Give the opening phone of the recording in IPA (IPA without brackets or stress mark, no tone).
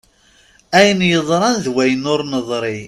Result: æ